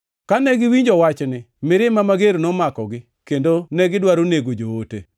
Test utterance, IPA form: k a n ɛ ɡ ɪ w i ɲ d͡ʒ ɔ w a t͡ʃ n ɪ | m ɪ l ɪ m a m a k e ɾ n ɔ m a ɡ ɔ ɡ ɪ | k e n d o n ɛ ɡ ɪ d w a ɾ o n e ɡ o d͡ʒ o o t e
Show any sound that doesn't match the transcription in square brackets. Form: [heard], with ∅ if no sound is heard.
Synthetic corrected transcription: k a n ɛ ɡ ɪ w i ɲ d͡ʒ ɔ w a t͡ʃ n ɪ | m ɪ [ɾ] ɪ m a m a [ɡ] e ɾ n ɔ m a [k] ɔ ɡ ɪ | k e n d o n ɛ ɡ ɪ d w a ɾ o n e ɡ o d͡ʒ o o t e